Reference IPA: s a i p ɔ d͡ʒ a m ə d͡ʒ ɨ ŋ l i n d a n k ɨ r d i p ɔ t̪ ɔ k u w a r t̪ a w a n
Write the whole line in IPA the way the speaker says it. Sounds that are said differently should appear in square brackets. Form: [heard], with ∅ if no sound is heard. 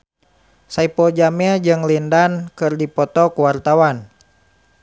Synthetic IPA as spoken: s a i p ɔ d͡ʒ a m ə d͡ʒ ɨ ŋ l i n d a n k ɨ r d i p ɔ t̪ ɔ k u w a r t̪ a w a n